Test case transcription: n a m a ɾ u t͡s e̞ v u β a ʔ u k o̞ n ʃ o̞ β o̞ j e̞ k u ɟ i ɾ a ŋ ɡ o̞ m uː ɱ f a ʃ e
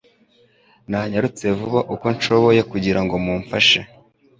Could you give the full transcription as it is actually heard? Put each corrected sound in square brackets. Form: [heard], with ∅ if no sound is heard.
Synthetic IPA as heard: n a [ɲ] a ɾ u t͡s e̞ v u β a ʔ u k o̞ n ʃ o̞ β o̞ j e̞ k u ɟ i ɾ a ŋ ɡ o̞ m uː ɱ f a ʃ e